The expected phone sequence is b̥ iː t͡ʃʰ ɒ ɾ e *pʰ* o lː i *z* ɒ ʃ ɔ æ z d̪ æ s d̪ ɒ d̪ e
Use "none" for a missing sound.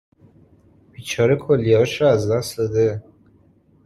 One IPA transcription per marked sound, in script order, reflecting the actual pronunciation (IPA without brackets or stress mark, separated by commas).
kʰ, none